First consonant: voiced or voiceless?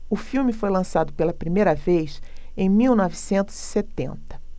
voiceless